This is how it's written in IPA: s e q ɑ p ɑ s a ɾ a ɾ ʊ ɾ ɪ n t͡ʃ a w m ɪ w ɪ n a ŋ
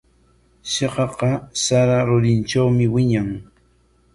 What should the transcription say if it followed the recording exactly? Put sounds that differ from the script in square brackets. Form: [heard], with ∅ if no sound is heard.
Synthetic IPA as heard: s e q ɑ [q] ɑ s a ɾ a ɾ ʊ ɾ ɪ n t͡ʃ a w m ɪ w ɪ [ɲ] a ŋ